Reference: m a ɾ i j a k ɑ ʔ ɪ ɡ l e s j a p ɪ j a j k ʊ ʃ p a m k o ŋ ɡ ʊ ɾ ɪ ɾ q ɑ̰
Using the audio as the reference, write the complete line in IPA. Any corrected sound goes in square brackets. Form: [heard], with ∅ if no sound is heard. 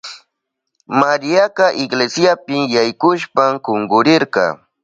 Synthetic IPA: m a ɾ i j a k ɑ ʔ ɪ ɡ l e s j a p ɪ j a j k ʊ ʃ p a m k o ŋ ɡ ʊ ɾ ɪ ɾ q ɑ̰